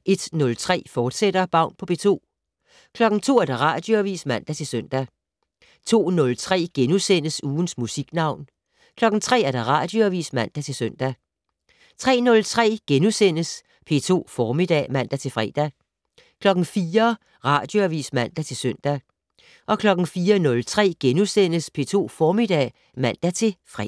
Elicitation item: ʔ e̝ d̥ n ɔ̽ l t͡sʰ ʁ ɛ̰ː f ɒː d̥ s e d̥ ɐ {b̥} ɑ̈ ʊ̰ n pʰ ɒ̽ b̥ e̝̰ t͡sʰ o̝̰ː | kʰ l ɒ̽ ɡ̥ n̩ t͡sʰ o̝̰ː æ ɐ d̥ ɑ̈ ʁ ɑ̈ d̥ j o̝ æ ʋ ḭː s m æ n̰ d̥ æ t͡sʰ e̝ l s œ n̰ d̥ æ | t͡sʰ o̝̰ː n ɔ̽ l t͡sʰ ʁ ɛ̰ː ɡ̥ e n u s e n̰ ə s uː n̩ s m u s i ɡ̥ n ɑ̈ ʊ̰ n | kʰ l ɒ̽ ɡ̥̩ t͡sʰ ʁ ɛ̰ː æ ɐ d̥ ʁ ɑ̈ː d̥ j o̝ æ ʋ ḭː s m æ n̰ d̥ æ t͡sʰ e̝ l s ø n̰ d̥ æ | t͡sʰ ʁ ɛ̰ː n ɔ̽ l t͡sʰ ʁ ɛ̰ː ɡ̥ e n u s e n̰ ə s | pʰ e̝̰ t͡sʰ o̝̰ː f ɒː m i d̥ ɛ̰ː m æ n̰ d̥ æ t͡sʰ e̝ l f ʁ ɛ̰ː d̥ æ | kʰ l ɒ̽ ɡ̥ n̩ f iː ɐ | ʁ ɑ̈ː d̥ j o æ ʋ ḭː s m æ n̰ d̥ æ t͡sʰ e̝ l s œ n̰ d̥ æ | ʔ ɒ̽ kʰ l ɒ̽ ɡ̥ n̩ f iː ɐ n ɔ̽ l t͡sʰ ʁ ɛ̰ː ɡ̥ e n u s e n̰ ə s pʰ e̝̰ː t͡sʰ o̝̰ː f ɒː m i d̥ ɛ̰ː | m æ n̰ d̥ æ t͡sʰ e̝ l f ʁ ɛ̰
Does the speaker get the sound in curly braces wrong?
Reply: no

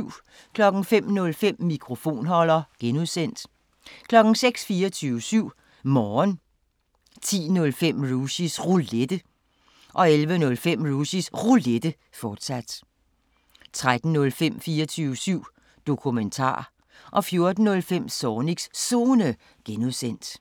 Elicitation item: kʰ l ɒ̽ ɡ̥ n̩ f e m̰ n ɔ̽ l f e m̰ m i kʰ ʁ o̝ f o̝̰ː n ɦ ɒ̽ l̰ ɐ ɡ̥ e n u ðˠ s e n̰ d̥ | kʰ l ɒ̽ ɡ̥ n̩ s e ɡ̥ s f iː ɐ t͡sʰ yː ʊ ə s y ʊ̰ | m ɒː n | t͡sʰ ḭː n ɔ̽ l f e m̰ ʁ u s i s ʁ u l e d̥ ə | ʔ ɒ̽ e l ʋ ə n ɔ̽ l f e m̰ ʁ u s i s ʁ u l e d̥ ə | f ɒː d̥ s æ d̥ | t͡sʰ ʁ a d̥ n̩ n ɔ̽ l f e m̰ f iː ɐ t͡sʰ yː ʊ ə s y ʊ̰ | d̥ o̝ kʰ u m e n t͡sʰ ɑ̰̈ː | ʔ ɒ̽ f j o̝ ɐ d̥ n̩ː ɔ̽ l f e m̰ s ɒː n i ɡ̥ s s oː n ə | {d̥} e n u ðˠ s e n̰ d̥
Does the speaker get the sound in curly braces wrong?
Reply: yes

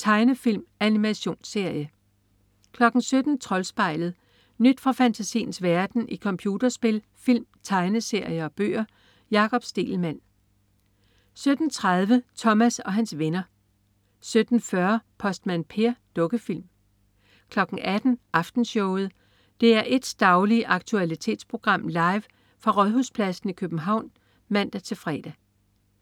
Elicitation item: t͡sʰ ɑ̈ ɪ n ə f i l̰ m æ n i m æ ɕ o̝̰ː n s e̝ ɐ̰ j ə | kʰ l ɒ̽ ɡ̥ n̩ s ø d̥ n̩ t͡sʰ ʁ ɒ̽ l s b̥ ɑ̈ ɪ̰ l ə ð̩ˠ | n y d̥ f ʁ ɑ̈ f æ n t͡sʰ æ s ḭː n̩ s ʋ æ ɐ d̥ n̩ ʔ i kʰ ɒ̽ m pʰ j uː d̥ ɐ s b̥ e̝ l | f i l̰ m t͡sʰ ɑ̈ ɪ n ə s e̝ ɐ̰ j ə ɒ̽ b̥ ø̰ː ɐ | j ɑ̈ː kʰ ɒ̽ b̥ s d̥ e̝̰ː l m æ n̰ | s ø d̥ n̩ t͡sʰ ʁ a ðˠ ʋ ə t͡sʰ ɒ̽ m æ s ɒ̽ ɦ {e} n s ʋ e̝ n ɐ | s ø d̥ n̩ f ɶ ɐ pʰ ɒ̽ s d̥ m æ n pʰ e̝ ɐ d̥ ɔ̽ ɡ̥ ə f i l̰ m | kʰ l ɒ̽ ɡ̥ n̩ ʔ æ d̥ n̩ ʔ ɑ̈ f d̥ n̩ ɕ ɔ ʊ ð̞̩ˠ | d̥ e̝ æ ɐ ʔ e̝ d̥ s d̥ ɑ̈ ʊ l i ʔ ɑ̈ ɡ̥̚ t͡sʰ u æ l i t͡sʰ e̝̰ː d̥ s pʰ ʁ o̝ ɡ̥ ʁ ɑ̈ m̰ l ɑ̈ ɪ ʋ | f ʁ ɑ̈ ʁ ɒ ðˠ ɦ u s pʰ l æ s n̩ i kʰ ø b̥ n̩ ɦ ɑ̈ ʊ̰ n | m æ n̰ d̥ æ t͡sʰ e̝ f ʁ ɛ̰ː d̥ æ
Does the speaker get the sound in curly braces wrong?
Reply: yes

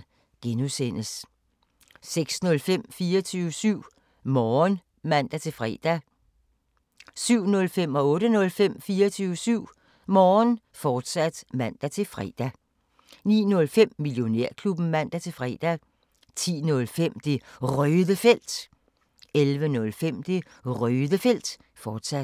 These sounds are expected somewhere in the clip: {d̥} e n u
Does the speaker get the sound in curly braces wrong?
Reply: yes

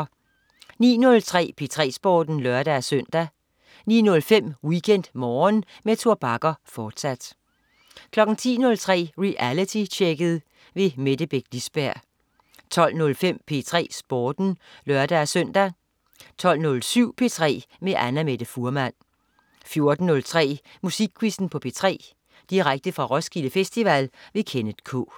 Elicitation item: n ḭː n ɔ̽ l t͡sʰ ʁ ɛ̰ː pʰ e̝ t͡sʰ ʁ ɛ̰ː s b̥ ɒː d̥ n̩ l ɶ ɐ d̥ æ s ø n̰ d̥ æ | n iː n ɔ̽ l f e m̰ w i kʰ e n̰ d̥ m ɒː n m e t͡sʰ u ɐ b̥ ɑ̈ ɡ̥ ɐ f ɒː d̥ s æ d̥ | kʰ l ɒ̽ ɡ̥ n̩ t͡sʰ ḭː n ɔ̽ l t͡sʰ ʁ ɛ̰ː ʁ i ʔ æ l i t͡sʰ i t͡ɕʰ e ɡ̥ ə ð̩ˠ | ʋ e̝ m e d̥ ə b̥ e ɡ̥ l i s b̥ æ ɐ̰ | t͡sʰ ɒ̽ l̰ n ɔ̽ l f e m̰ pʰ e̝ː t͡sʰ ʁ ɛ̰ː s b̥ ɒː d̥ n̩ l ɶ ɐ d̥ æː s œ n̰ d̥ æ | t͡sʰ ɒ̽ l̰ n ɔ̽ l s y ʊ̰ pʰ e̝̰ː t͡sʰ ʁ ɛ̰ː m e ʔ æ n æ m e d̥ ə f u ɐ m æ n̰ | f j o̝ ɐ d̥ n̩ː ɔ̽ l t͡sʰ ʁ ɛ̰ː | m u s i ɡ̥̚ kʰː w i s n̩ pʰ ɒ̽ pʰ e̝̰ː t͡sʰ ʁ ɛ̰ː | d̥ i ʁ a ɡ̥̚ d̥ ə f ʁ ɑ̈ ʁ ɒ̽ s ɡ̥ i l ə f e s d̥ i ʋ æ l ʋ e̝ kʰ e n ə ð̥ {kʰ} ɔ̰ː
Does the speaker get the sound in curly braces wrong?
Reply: no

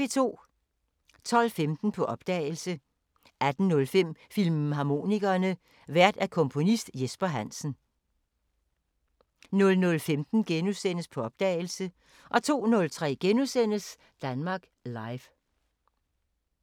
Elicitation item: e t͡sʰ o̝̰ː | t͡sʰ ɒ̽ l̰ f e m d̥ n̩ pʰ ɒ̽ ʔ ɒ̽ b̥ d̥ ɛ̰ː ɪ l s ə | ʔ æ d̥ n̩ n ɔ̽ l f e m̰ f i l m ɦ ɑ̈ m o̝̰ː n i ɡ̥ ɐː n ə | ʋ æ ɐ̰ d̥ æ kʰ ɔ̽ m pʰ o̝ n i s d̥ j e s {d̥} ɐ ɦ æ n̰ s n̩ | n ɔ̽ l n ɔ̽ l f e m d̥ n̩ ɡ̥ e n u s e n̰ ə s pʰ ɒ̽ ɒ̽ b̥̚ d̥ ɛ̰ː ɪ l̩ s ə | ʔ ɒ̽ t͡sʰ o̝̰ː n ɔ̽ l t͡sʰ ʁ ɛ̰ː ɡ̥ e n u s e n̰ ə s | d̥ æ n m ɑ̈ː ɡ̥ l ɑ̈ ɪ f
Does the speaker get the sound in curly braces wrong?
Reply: yes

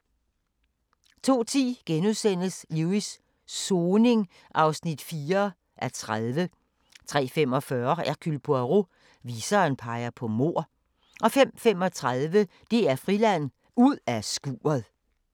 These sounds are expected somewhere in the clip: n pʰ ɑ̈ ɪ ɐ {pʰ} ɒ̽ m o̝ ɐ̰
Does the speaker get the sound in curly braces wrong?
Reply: no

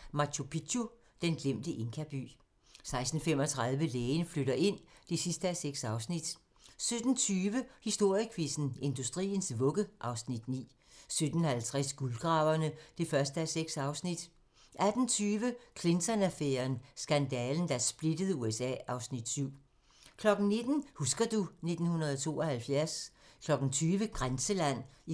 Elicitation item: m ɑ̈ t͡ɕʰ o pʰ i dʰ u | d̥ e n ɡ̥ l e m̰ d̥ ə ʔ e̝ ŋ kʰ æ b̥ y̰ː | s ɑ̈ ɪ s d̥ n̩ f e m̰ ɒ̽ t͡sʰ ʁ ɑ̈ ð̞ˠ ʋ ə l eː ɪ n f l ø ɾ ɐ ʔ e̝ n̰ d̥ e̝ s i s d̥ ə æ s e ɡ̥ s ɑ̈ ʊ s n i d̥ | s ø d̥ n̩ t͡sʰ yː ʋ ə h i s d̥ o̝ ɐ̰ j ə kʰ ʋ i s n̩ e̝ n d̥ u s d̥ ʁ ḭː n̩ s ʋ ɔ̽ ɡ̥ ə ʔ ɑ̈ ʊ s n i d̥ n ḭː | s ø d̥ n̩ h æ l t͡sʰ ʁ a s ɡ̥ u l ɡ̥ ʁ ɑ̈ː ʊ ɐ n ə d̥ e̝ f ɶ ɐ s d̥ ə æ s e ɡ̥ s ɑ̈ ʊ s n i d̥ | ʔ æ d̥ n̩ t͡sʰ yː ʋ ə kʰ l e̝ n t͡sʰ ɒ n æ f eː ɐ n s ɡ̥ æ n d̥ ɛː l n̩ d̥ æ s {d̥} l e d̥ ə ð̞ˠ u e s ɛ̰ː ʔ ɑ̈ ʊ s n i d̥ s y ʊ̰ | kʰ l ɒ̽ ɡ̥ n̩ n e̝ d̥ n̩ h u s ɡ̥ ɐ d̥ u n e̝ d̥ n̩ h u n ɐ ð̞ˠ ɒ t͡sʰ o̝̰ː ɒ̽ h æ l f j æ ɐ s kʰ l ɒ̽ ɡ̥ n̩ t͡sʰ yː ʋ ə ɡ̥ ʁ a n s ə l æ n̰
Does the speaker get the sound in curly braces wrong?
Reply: yes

